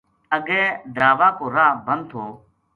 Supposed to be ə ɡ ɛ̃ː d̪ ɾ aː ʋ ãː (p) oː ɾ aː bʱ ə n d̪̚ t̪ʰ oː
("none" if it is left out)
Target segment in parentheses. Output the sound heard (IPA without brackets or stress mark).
k